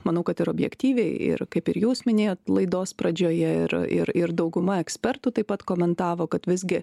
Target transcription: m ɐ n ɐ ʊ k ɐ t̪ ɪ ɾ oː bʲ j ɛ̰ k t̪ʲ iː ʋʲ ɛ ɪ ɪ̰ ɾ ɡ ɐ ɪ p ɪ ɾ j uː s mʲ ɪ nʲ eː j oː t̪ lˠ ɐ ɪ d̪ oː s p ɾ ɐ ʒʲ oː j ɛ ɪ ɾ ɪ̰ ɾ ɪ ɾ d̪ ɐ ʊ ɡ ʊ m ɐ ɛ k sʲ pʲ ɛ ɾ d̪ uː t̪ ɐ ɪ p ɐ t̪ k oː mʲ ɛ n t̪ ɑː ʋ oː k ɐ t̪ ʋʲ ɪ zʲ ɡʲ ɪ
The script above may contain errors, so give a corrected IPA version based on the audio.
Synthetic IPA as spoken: m ɐ n ɐ ʊ k ɐ t̪ ɪ ɾ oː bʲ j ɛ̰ k t̪ʲ iː ʋʲ ɛ ɪ ɪ̰ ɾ k ɐ ɪ p ɪ ɾ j uː s mʲ ɪ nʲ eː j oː t̪ lˠ ɐ ɪ d̪ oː s p ɾ ɐ d͡ʒʲ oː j ɛ ɪ ɾ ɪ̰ ɾ ɪ ɾ d̪ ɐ ʊ ɡ ʊ m ɐ ɛ k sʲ pʲ ɛ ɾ t̪ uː t̪ ɐ ɪ p ɐ t̪ k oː mʲ ɛ n t̪ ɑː ʋ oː k ɐ t̪ ʋʲ ɪ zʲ ɡʲ ɪ